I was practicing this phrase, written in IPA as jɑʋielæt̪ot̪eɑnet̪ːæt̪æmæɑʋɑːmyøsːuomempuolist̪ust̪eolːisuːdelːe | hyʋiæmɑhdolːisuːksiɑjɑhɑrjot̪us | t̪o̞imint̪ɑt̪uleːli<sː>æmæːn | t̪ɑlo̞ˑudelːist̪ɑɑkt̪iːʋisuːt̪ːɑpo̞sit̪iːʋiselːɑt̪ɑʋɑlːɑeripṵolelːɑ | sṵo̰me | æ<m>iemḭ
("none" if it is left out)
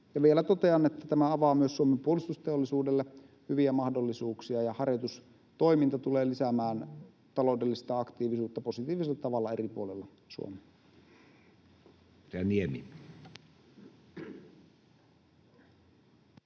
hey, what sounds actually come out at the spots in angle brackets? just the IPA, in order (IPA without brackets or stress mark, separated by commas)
s, n